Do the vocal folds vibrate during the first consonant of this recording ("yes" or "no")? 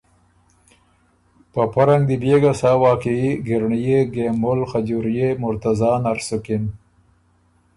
no